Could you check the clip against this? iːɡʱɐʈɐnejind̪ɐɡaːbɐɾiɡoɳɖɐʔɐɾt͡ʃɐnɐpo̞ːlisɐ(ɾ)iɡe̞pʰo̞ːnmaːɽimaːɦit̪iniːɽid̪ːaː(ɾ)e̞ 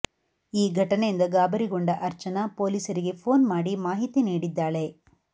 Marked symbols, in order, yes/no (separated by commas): yes, no